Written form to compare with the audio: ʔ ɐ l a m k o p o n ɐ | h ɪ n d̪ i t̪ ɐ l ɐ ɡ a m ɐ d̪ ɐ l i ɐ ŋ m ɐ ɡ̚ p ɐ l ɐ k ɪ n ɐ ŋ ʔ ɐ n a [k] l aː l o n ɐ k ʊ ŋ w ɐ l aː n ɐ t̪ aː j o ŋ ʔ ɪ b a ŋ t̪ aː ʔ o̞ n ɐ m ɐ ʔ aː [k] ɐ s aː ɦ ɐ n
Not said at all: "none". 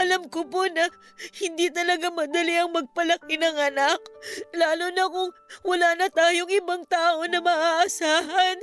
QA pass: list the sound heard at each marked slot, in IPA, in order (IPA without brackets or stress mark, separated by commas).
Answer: k, ʔ